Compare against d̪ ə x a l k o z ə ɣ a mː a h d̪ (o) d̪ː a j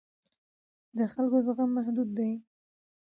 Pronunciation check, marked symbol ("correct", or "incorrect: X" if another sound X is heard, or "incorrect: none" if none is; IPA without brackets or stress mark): incorrect: u